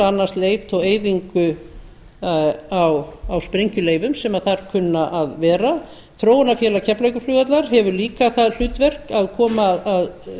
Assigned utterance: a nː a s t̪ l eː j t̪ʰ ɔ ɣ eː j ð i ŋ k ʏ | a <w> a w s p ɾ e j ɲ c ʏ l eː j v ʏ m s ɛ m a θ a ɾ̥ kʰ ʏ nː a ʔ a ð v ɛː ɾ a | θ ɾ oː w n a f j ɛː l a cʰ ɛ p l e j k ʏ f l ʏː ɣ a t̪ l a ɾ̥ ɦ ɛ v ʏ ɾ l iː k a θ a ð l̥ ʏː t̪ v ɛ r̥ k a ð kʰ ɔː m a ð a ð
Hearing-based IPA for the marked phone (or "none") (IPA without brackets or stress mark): w